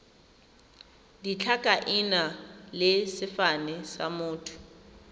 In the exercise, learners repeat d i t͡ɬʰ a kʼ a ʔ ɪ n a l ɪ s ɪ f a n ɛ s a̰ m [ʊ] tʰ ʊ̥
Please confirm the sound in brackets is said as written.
no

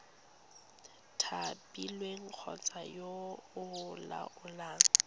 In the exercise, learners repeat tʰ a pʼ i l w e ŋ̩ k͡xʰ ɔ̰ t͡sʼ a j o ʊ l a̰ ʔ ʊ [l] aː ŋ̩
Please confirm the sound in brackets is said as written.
yes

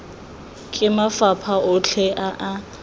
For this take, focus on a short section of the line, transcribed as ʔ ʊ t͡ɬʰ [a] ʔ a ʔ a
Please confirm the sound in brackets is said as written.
no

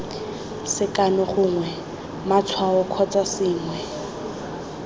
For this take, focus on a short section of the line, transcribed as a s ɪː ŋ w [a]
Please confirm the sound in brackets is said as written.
no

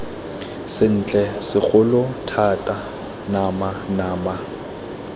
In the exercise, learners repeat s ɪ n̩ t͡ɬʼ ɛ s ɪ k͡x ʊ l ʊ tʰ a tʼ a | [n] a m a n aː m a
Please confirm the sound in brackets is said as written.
yes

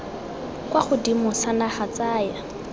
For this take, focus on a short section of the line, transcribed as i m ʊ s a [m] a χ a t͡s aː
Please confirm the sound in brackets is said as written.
no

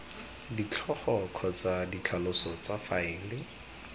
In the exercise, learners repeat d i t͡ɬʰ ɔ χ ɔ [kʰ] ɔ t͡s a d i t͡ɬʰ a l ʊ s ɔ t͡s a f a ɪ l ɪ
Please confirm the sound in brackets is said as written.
yes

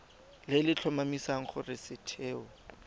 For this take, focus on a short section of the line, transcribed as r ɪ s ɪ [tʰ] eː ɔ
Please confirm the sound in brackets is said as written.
yes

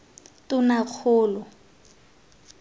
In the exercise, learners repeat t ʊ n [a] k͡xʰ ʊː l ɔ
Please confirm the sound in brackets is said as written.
yes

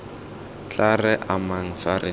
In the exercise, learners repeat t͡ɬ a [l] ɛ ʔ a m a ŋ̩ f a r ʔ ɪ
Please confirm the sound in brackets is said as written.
no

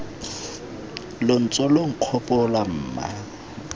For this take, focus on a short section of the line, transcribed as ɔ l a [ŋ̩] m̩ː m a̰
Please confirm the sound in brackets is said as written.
no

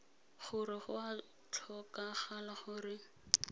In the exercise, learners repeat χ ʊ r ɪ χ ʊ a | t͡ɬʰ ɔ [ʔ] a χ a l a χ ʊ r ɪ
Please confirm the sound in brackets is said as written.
no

